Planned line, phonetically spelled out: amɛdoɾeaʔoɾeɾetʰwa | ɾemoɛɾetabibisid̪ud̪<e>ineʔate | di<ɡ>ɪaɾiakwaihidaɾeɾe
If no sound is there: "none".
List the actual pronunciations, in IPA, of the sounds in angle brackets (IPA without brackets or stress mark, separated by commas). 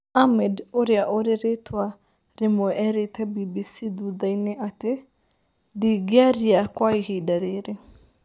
a, ɡ